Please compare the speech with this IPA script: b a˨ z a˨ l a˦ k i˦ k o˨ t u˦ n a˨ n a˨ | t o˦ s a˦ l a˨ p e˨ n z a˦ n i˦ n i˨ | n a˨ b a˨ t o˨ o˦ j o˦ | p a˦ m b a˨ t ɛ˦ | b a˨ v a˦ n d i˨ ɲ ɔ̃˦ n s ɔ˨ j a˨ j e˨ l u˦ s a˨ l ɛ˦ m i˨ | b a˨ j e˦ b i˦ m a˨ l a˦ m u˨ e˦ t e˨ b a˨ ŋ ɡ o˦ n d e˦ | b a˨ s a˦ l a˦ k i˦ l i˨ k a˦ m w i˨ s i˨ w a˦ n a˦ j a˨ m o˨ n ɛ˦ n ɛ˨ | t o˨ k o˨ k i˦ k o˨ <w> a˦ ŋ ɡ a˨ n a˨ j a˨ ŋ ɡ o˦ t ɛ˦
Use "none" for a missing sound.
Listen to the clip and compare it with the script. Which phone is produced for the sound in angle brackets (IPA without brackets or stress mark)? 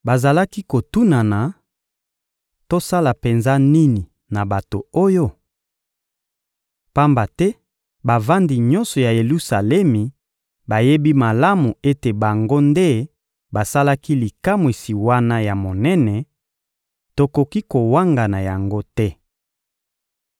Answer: w